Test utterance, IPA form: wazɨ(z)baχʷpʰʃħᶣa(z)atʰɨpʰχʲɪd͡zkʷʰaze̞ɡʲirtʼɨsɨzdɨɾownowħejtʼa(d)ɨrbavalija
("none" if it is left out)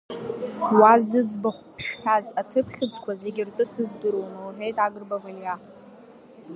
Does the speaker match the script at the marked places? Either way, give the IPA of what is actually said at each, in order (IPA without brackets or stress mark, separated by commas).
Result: d͡z, z, ɡ